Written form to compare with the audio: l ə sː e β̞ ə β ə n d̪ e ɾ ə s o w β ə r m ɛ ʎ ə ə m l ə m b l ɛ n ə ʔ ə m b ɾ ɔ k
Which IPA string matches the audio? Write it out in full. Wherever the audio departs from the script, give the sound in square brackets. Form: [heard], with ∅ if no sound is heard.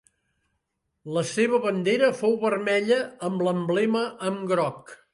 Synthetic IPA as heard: l ə [s] e β̞ ə β ə n d̪ e ɾ ə [f] o w β ə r m ɛ ʎ ə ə m l ə m b l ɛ [m] ə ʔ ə m [ɡ] ɾ ɔ k